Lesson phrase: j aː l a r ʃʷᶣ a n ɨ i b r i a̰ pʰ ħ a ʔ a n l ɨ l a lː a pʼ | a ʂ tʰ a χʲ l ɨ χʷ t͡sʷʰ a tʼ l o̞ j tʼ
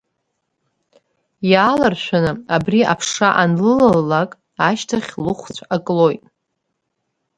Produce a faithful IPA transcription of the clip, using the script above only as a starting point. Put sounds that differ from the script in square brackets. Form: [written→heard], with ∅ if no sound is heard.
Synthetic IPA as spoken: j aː l a r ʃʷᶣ a n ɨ [i→a] b r i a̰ pʰ [ħ→ʂ] a ʔ a n l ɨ l a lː a [pʼ→kʼ] | a [ʂ→ʃ] tʰ a χʲ l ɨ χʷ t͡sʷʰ a [tʼ→kʼ] l o̞ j tʼ